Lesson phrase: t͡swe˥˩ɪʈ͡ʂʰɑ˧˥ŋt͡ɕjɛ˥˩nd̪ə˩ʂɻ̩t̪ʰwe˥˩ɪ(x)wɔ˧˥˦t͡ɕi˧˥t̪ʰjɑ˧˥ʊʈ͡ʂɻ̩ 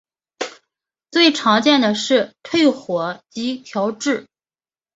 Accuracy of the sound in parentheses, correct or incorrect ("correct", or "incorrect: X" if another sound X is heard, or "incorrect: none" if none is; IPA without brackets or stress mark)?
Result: correct